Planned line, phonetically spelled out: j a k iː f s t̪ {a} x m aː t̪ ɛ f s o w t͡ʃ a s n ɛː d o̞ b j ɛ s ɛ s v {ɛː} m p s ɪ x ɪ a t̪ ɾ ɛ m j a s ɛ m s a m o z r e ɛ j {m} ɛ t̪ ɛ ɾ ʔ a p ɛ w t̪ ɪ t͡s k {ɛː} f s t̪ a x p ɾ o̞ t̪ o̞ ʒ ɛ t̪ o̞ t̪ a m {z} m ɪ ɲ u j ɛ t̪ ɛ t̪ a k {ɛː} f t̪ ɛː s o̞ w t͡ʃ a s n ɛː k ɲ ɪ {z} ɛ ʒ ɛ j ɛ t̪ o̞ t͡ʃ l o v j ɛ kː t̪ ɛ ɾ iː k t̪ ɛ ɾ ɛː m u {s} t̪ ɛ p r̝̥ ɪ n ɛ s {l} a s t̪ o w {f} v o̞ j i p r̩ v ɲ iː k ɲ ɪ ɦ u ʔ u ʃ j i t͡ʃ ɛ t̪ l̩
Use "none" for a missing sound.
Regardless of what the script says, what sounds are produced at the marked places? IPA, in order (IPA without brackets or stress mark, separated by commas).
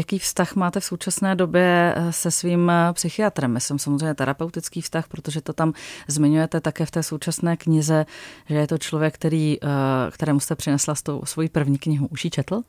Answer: a, iː, ɲ, iː, z, ɛː, z, s, l, s